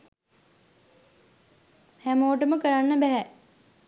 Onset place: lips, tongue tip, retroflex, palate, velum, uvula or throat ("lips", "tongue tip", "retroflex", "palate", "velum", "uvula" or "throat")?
throat